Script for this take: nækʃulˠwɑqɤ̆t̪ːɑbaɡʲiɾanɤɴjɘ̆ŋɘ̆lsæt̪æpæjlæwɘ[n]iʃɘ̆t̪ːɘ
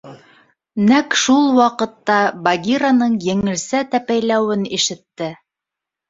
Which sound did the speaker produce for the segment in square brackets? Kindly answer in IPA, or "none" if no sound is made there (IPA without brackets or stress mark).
n